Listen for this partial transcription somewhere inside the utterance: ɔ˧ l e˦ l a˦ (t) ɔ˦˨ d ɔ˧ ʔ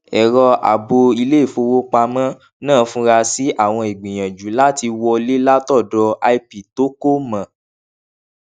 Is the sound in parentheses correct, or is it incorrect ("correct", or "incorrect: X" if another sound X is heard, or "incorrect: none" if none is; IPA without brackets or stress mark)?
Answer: correct